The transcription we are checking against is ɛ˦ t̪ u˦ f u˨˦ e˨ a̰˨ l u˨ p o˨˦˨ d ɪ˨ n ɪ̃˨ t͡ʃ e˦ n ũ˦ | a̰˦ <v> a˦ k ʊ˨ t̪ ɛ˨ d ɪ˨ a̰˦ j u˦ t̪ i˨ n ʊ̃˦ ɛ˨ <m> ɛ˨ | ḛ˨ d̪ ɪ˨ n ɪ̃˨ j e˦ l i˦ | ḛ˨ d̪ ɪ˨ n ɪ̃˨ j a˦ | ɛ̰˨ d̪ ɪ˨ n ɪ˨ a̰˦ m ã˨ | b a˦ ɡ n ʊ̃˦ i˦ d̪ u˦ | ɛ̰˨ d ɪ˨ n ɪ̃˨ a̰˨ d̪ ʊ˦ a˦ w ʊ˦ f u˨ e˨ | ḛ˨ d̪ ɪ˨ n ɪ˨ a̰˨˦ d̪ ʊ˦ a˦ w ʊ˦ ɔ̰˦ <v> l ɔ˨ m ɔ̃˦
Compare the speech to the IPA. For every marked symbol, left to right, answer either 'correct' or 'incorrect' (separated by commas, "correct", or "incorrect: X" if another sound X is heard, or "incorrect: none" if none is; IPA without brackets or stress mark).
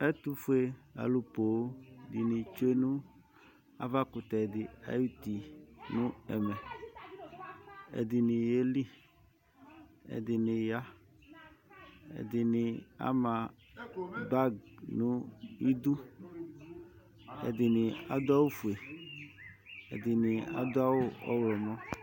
correct, correct, incorrect: w